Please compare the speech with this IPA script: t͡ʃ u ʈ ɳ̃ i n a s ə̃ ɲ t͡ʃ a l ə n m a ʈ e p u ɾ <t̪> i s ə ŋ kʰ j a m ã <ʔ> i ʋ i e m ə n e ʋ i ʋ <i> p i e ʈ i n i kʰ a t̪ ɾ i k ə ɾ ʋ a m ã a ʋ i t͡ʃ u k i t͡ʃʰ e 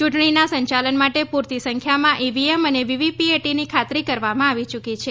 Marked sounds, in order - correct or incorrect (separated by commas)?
correct, correct, correct